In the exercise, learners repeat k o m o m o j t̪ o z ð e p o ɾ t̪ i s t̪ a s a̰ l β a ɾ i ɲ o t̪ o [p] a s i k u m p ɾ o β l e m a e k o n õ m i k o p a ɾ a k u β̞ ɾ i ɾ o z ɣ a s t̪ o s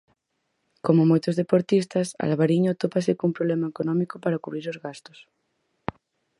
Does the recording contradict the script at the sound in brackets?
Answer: no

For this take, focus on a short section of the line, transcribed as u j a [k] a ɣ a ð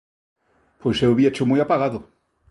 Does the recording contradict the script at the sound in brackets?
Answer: yes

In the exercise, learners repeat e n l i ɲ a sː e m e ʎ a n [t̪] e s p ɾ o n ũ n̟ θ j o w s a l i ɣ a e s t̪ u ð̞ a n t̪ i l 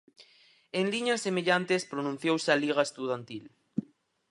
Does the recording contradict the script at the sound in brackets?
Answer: no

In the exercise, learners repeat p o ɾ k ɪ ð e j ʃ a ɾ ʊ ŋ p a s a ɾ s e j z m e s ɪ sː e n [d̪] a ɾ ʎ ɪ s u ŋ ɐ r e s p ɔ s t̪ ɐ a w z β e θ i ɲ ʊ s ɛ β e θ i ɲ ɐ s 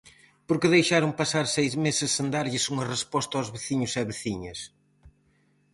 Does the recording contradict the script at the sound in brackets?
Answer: no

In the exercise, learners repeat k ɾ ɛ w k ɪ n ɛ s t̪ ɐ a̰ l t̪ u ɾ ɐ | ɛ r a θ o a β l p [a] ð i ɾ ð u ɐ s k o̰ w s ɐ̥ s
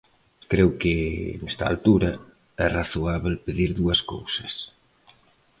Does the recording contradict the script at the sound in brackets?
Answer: yes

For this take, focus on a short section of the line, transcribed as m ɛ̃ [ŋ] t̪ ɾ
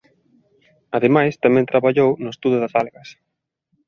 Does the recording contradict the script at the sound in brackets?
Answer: yes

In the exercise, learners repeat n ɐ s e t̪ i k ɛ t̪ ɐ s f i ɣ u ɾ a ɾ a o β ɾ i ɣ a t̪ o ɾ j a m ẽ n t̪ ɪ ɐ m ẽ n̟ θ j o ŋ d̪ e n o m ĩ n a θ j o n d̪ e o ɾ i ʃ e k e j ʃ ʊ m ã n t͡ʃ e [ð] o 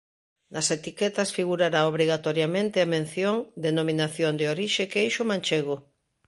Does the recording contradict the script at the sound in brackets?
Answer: yes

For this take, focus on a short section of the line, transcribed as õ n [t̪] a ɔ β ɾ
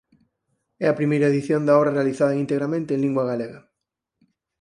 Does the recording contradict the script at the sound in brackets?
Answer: yes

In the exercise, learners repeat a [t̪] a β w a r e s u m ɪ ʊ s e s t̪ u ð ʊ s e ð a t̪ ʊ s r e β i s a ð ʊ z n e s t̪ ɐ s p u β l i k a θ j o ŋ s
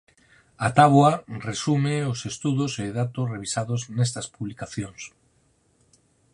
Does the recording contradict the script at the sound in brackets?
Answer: no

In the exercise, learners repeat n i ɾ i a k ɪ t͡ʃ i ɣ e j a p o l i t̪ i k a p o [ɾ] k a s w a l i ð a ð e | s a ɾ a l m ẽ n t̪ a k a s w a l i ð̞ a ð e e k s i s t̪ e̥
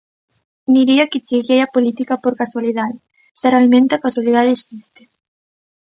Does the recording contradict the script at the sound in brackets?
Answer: no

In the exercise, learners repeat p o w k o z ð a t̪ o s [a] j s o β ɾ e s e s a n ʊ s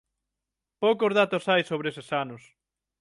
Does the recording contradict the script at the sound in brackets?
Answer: no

